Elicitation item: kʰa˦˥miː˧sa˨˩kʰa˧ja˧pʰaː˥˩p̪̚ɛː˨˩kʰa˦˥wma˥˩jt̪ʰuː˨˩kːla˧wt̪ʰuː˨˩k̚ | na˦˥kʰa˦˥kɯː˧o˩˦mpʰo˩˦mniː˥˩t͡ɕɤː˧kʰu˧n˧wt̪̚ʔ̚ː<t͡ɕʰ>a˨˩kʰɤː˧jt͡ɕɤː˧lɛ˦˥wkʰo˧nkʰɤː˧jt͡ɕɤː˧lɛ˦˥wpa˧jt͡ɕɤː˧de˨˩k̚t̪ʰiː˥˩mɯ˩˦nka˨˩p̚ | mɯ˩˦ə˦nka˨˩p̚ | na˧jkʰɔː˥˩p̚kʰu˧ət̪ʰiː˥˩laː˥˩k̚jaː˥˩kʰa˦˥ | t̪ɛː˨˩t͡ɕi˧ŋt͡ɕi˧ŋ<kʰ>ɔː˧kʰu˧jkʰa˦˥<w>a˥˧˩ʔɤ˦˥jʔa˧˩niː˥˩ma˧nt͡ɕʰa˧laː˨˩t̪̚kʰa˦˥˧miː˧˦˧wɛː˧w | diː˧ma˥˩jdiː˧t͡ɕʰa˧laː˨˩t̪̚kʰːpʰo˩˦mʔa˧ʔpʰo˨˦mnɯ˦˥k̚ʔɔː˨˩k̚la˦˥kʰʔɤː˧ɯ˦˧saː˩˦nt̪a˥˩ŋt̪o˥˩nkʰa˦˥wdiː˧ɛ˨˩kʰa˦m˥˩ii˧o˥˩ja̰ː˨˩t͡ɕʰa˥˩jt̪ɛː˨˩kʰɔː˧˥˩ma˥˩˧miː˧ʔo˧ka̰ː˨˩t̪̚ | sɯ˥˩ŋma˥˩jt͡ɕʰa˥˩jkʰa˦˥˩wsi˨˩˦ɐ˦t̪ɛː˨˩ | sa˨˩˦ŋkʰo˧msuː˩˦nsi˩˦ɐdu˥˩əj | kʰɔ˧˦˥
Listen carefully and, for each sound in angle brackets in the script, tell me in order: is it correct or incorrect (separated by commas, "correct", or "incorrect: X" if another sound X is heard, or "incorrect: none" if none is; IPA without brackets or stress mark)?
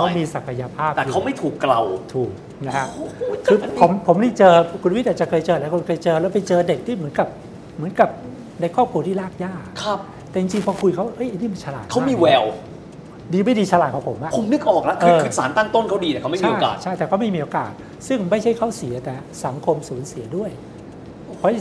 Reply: incorrect: t͡ɕ, incorrect: pʰ, correct